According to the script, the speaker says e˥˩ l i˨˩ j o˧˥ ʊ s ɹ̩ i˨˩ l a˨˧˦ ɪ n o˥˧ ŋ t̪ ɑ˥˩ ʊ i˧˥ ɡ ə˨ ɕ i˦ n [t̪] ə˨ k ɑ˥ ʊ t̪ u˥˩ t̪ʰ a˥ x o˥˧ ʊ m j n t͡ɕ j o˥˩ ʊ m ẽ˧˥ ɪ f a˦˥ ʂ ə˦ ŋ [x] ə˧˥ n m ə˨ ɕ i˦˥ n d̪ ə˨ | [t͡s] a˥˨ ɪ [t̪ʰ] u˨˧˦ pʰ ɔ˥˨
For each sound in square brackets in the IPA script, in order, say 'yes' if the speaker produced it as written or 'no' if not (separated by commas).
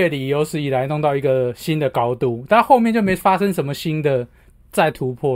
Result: no, no, yes, yes